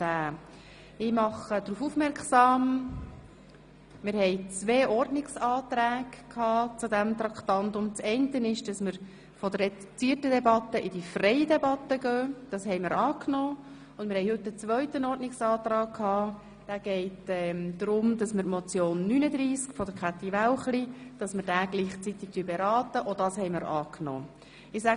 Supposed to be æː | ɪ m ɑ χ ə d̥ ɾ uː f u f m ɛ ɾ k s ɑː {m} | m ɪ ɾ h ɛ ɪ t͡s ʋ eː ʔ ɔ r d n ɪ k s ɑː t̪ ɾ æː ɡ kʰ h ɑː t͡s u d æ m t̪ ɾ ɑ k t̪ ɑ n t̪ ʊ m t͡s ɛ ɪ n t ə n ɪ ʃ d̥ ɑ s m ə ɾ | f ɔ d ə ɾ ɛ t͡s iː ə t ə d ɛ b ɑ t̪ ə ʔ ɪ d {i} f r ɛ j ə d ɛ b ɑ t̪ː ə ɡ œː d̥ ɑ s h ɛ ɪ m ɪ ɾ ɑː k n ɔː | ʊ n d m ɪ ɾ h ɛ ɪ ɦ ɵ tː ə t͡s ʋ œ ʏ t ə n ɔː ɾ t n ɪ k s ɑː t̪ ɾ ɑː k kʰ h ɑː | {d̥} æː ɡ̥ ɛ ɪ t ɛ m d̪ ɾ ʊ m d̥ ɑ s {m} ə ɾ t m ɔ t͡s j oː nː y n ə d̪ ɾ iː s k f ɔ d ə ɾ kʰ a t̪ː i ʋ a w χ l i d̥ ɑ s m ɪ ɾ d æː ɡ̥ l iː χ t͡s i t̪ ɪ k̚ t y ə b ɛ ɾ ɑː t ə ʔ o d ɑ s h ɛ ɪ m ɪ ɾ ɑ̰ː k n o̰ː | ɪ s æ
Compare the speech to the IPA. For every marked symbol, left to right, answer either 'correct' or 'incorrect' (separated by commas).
correct, correct, correct, correct